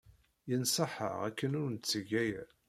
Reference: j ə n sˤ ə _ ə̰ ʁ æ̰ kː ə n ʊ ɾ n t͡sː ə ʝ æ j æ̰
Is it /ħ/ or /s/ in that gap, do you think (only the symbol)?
ħ